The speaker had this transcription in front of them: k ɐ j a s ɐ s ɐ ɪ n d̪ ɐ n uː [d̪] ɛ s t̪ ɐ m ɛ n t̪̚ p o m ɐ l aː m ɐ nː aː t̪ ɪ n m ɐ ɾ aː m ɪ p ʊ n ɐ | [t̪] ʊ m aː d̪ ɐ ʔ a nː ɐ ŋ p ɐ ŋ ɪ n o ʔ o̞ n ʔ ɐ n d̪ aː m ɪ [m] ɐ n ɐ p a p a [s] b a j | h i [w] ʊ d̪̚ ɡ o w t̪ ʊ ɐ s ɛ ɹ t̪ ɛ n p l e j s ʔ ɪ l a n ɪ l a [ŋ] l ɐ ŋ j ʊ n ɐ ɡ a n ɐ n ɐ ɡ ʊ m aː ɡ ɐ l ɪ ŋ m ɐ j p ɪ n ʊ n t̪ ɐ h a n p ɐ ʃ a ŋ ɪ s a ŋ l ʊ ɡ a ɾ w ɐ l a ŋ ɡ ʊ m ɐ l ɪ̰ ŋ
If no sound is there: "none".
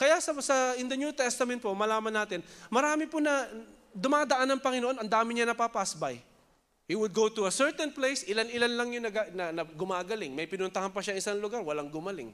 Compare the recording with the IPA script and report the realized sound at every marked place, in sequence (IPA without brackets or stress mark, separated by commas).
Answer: t̪, d̪, ɲ, s, w, n